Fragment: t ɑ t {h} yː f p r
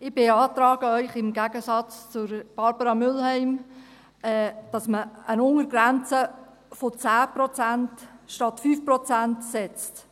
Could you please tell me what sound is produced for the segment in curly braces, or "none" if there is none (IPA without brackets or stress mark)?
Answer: f